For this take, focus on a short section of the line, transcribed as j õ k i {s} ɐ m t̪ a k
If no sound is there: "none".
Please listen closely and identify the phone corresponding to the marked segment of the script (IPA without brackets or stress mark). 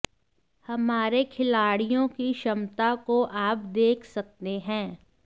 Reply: ʃ